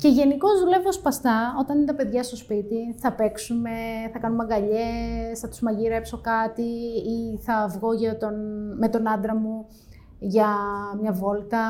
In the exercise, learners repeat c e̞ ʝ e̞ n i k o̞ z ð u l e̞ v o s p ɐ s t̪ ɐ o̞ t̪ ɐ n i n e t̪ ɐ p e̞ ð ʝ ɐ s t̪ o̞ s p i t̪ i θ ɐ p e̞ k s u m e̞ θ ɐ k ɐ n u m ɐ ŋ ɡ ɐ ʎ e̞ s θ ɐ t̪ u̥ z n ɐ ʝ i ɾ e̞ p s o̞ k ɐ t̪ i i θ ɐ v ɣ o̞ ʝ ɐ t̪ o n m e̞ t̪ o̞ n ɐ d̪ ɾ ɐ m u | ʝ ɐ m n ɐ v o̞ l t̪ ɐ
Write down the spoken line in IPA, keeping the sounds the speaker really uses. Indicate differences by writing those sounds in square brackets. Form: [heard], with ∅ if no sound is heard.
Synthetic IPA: c e̞ ʝ e̞ n i k o̞ z ð u l e̞ v o s p ɐ s t̪ ɐ o̞ t̪ ɐ n i n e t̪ ɐ p e̞ ð ʝ ɐ s t̪ o̞ s p i t̪ i θ ɐ p e̞ k s u m e̞ θ ɐ k ɐ n u m ɐ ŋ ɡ ɐ ʎ e̞ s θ ɐ t̪ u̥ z [m] ɐ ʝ i ɾ e̞ p s o̞ k ɐ t̪ i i θ ɐ v ɣ o̞ ʝ ɐ t̪ o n m e̞ t̪ o̞ n ɐ d̪ ɾ ɐ m u | ʝ ɐ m [ɲ] ɐ v o̞ l t̪ ɐ